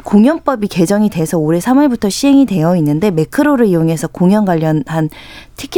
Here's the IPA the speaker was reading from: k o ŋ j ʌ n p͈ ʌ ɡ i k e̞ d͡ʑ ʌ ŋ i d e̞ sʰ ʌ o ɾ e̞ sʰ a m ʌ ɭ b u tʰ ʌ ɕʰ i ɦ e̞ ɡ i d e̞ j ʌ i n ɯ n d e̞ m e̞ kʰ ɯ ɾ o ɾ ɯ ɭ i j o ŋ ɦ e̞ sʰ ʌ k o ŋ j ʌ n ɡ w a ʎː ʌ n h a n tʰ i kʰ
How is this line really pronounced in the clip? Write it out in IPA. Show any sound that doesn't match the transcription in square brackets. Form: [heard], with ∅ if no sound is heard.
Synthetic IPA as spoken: k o ŋ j ʌ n p͈ ʌ [b] i k e̞ d͡ʑ ʌ ŋ i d e̞ sʰ ʌ o ɾ e̞ sʰ a m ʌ ɭ b u tʰ ʌ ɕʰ i ɦ e̞ [ŋ] i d e̞ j ʌ i [nː] ɯ n d e̞ m e̞ kʰ ɯ ɾ o ɾ ɯ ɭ i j o ŋ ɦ e̞ sʰ ʌ k o ŋ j ʌ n ɡ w a ʎː ʌ n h a n tʰ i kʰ